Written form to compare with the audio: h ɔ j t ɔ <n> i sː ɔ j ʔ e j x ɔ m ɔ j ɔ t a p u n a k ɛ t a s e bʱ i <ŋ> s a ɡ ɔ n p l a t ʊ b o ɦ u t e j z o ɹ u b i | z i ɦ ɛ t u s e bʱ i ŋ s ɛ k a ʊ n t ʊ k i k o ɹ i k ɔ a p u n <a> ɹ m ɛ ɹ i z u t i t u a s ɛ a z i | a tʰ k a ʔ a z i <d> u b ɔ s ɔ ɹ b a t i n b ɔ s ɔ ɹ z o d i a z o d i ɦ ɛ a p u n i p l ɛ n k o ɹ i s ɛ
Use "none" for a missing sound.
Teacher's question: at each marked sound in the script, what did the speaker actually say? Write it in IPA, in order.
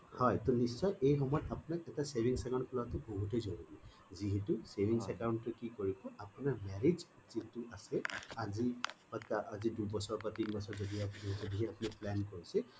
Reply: n, ŋ, a, d

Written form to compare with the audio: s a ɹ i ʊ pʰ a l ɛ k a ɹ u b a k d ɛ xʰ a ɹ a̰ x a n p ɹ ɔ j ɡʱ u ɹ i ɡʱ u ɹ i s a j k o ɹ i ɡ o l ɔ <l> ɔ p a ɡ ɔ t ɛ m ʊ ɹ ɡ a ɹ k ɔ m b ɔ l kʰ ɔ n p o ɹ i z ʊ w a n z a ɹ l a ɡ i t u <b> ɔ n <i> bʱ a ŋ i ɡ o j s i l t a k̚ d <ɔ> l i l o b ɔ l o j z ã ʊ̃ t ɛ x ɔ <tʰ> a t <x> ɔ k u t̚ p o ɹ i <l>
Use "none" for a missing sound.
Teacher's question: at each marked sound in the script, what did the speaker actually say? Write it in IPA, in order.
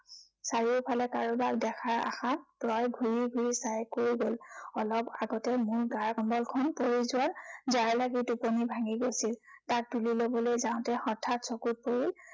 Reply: l, p, i, u, tʰ, s, l

